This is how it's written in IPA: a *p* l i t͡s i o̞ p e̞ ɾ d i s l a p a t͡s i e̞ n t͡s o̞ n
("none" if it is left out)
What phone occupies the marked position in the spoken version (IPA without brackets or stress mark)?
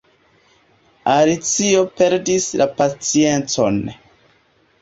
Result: none